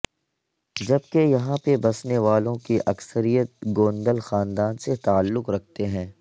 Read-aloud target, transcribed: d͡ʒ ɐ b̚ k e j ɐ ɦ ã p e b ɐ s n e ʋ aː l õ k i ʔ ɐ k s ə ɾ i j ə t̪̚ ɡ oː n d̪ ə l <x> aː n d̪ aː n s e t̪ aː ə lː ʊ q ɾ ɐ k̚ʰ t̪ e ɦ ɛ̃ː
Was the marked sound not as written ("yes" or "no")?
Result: no